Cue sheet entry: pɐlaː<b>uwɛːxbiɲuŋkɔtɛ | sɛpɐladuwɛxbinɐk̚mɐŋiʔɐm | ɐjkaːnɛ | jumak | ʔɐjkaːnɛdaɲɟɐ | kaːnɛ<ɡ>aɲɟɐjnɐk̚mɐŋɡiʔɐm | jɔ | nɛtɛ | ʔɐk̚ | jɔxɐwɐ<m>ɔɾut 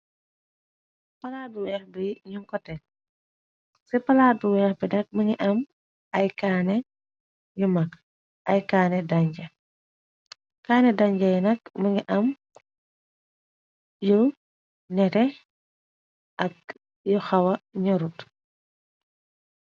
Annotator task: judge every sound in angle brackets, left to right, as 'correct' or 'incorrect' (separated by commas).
incorrect, incorrect, incorrect